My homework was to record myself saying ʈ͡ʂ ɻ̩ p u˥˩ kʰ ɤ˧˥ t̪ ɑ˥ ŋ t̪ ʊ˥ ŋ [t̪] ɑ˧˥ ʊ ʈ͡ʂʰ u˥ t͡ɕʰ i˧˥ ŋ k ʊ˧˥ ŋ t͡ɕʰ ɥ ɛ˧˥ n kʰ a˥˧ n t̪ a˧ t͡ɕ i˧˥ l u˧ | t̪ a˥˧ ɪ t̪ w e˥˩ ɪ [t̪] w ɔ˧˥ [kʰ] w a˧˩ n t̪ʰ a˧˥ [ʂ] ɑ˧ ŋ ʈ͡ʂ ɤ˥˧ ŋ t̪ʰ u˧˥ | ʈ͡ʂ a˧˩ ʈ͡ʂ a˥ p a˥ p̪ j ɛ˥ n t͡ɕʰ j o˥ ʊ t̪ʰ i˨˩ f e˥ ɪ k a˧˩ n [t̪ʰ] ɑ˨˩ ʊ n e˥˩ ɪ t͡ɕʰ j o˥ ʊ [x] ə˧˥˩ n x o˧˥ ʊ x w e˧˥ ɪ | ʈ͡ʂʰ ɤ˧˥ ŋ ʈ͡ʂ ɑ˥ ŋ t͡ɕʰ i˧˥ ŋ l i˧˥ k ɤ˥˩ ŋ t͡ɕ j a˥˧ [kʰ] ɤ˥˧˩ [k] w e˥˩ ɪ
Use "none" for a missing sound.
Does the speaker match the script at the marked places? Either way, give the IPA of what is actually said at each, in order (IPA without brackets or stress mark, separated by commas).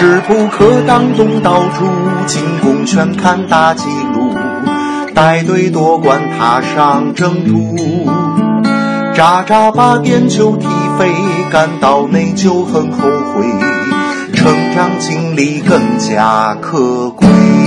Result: t̪, t̪, k, ʂ, t̪, x, kʰ, k